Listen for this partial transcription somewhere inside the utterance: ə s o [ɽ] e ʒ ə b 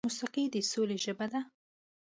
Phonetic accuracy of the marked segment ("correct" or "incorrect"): incorrect